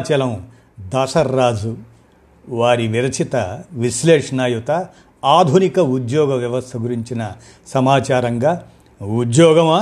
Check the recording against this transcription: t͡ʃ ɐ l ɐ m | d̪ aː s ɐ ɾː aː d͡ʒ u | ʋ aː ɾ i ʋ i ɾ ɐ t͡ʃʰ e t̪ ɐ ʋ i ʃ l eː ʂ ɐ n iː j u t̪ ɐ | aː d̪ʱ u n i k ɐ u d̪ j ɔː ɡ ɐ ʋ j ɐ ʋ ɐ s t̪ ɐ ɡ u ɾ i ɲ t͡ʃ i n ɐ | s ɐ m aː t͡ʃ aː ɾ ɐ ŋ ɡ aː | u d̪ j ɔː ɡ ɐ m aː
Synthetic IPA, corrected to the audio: t͡ʃ ɐ l ɐ m | d̪ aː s ɐ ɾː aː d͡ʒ u | ʋ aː ɾ i ʋ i ɾ ɐ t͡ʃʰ i t̪ ɐ ʋ i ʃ l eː ʂ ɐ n aː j u t̪ ɐ | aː d̪ʱ u n i k ɐ u d̪ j ɔː ɡ ɐ ʋ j ɐ ʋ ɐ s t̪ʰ ɐ ɡ u ɾ i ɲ t͡ʃ i n ɐ | s ɐ m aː t͡ʃ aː ɾ ɐ ŋ ɡ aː | u d̪ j ɔː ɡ ɐ m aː